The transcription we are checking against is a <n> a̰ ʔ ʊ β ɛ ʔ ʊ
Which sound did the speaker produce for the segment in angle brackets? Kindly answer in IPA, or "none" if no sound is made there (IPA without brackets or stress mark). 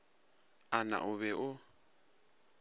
n